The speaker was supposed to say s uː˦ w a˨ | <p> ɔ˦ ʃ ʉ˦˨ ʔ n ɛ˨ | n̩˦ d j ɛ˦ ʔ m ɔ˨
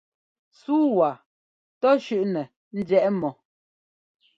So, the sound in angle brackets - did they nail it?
no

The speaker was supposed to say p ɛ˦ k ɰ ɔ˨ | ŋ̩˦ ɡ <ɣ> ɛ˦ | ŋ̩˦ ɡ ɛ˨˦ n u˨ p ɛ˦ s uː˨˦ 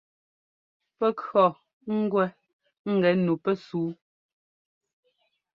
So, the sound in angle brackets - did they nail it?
no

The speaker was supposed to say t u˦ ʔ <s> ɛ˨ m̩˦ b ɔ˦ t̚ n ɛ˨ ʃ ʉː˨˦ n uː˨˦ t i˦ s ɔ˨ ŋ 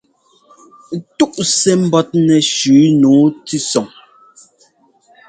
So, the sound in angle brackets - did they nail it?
yes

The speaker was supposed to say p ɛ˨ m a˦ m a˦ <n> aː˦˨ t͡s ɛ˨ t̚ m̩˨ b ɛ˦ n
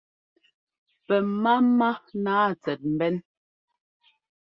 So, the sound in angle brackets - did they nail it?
yes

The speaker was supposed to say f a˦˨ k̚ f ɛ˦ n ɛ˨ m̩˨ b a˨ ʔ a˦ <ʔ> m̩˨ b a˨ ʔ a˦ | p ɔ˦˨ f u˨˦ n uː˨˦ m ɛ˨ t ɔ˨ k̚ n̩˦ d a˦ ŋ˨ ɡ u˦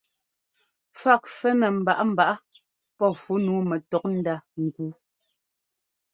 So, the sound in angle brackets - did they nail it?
no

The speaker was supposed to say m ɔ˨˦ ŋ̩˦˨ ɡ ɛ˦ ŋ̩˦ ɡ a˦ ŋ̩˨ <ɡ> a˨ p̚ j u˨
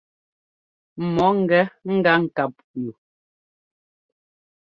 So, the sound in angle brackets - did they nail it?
no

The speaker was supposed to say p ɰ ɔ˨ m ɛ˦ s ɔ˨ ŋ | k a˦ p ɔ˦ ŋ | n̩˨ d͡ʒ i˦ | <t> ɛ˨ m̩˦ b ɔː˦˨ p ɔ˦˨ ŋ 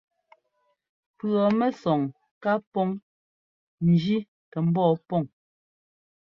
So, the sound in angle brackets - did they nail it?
yes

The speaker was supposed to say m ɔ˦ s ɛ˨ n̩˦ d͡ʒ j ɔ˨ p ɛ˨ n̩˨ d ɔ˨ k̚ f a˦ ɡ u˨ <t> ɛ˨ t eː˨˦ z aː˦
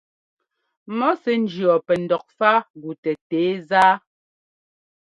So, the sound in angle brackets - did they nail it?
yes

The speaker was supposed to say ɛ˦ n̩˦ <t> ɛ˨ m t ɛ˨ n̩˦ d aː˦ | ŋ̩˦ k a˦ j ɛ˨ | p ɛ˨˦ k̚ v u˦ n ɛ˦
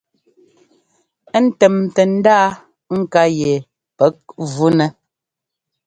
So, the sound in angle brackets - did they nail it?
yes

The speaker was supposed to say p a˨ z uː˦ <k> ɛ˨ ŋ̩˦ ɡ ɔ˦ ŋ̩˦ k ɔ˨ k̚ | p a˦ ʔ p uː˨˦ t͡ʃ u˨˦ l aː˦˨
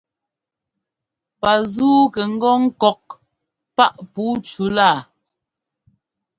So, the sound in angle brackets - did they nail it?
yes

